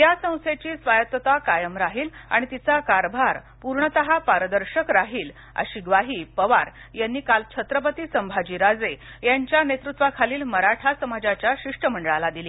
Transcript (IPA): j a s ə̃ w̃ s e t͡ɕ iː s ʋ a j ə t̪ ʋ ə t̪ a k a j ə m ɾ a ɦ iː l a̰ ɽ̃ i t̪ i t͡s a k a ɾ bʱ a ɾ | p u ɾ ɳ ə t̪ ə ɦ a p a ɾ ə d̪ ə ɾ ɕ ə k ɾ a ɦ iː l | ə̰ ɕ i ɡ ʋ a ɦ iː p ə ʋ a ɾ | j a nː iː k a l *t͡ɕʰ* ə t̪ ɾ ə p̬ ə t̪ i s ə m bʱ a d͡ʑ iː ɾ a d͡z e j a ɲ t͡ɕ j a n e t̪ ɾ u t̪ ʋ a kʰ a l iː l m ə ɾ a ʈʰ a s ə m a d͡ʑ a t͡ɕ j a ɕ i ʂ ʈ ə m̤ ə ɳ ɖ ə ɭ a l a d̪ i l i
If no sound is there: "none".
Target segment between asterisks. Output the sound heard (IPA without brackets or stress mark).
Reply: t͡ɕʰ